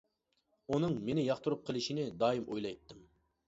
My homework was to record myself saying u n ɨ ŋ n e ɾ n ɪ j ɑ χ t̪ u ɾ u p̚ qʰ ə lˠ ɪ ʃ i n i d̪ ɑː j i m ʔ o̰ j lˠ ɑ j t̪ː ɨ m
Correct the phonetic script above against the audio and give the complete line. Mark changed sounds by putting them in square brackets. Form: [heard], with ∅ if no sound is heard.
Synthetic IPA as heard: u n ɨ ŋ [m] e [∅] n ɪ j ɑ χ t̪ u ɾ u p̚ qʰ ə lˠ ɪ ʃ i n [ɪ] d̪ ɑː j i m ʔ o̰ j lˠ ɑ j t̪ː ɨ m